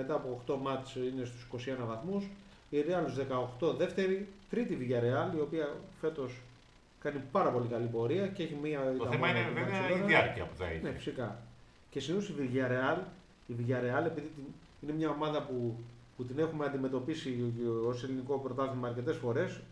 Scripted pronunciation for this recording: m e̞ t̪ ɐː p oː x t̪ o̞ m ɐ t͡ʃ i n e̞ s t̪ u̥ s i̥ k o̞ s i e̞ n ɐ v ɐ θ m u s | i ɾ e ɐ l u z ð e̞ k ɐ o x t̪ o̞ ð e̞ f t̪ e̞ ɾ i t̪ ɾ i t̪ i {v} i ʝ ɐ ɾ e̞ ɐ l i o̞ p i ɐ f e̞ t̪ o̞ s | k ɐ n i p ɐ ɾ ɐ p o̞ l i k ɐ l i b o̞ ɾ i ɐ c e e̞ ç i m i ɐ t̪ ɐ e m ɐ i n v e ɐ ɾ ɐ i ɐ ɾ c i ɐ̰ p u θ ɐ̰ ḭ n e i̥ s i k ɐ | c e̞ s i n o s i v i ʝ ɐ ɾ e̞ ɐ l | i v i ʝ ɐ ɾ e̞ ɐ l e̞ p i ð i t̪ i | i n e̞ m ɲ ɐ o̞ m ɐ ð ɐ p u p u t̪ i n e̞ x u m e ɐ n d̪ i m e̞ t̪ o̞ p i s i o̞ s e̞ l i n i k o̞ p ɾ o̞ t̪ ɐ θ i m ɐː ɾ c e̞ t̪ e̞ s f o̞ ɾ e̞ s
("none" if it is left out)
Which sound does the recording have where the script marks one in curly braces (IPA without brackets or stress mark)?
v